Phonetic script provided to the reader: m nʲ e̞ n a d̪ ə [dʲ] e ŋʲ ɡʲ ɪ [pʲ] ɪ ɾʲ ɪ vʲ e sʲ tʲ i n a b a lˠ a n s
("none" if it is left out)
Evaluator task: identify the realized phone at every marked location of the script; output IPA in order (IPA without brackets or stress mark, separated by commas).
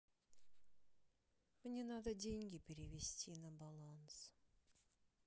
dʲ, pʲ